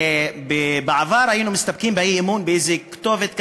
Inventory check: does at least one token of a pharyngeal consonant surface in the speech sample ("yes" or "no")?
yes